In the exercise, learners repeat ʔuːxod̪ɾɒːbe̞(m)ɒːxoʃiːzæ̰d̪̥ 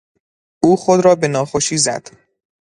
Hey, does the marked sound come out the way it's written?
no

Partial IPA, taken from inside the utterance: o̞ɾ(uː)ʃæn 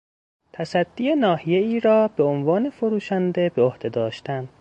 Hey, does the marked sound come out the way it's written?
yes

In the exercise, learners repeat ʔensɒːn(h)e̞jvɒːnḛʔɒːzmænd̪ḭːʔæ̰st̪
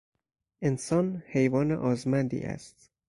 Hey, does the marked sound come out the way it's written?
yes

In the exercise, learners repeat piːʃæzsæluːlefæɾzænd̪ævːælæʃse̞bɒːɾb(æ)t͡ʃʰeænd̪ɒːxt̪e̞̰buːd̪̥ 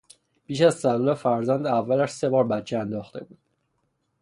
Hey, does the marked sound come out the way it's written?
yes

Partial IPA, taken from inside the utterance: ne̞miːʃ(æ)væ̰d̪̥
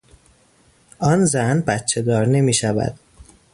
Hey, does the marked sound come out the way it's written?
yes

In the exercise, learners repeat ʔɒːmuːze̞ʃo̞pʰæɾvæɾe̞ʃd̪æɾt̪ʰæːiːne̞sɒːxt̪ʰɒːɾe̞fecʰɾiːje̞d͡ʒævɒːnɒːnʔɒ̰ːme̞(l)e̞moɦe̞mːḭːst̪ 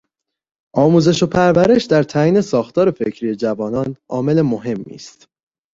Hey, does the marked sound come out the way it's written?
yes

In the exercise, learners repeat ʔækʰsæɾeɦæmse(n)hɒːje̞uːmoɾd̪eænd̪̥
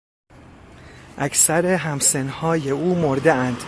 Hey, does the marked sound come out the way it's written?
yes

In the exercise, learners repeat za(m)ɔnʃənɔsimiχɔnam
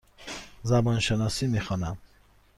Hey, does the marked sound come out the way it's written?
no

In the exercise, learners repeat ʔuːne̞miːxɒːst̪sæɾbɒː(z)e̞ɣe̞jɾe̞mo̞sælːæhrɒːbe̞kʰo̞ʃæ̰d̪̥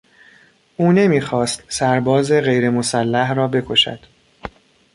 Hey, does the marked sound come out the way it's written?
yes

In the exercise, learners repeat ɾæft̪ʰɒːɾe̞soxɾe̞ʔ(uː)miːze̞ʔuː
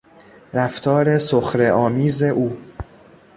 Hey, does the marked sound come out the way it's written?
no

